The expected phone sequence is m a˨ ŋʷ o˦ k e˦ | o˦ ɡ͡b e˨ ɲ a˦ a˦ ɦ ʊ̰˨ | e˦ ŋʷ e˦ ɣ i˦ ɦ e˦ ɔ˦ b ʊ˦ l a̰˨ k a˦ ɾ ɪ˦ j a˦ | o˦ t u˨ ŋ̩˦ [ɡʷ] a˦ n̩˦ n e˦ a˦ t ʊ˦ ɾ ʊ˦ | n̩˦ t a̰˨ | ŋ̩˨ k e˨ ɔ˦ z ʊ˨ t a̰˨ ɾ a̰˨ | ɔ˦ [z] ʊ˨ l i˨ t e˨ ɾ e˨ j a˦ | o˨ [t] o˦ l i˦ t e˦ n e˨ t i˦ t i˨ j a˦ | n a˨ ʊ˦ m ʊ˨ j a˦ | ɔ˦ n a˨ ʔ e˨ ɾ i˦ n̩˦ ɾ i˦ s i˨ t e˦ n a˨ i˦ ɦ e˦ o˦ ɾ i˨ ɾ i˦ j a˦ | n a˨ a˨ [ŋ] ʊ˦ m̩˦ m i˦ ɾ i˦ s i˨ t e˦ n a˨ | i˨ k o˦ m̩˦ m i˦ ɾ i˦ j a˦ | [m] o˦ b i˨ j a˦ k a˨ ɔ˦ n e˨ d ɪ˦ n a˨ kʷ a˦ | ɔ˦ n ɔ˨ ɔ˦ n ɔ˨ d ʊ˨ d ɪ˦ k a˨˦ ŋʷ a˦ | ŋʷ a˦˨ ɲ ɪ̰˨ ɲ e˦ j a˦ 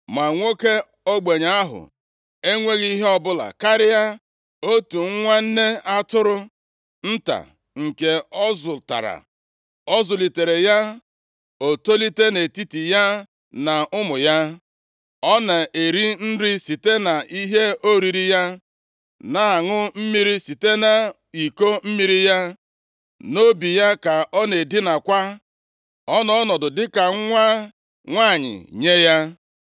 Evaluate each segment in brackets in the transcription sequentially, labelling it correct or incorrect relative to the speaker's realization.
incorrect: ŋʷ, correct, correct, correct, incorrect: n

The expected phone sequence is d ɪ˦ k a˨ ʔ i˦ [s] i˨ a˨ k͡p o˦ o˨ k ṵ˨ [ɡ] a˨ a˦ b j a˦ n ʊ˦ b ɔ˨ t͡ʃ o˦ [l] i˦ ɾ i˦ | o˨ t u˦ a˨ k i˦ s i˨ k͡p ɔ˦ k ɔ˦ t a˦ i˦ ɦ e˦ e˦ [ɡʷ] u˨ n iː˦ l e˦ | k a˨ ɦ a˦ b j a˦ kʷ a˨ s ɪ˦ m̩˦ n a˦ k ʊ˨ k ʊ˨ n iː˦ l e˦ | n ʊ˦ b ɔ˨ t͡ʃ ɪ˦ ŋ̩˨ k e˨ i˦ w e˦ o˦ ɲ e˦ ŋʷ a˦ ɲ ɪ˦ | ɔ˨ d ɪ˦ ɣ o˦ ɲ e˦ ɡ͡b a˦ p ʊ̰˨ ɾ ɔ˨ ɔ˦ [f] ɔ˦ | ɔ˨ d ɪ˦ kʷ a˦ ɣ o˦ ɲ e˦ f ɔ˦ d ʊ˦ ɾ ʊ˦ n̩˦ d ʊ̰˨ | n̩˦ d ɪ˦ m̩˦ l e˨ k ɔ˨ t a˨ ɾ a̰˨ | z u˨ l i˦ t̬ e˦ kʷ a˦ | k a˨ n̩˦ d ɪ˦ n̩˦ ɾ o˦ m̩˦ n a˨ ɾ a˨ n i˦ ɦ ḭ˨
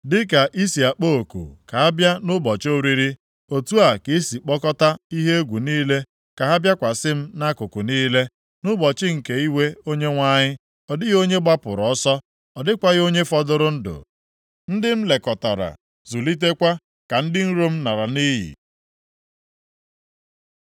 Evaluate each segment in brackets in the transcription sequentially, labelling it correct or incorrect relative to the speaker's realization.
correct, incorrect: k, incorrect: ɾ, correct, incorrect: s

